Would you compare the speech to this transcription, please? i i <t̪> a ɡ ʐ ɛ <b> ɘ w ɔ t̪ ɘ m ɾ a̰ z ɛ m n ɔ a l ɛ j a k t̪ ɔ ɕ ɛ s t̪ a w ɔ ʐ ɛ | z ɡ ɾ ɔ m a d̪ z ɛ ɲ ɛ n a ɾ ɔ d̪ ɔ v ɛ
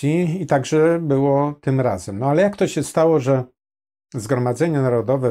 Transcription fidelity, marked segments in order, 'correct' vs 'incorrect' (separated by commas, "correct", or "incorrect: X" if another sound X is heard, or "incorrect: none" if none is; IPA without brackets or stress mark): correct, correct